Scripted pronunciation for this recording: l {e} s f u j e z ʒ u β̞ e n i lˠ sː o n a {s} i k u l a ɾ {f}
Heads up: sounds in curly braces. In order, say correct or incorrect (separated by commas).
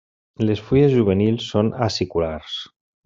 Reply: correct, correct, incorrect